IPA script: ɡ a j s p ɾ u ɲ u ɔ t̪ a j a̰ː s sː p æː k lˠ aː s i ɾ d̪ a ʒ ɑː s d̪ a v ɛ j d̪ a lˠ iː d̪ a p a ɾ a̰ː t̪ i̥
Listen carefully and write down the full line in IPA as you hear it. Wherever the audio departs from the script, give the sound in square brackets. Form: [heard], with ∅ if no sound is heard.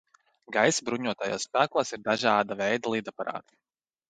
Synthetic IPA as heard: ɡ a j s [b] ɾ u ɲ u ɔ t̪ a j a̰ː s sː p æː k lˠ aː s i ɾ d̪ a ʒ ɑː [∅] d̪ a v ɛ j d̪ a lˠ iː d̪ a p a ɾ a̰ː t̪ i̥